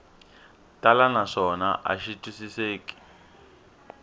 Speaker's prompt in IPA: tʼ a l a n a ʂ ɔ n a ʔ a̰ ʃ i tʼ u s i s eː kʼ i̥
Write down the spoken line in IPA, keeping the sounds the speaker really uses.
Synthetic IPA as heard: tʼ a l a n a ʂ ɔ n a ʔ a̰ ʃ i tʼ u s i s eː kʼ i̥